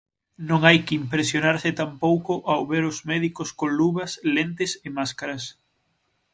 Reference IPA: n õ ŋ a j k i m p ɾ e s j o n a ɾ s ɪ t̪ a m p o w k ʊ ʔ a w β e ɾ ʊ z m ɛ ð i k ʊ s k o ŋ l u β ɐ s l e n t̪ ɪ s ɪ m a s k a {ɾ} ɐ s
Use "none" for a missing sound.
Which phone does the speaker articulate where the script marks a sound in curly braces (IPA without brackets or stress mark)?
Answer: ɾ